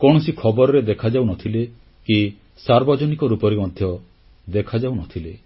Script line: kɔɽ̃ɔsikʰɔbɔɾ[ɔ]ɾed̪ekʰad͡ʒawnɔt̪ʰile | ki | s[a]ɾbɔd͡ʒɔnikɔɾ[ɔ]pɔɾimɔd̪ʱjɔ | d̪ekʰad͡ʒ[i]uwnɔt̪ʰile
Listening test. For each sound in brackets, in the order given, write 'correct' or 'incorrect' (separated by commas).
correct, correct, incorrect, incorrect